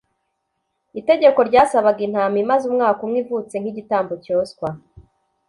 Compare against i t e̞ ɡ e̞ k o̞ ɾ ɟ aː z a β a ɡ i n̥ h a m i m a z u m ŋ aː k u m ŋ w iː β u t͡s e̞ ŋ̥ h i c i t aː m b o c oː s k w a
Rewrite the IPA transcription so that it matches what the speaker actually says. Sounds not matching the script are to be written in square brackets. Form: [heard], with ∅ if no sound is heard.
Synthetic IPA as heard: i t e̞ [ɟ] e̞ k o̞ ɾ ɟ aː [s] a β a ɡ i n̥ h a m i m a z u m ŋ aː k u m ŋ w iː [v] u t͡s e̞ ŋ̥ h i [ɟ] i t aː m b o c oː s k w a